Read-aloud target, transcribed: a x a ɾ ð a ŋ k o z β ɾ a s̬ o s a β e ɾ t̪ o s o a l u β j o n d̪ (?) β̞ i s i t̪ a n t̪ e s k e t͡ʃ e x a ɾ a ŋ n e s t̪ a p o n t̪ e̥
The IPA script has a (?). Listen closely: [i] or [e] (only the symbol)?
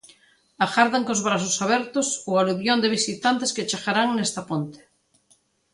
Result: e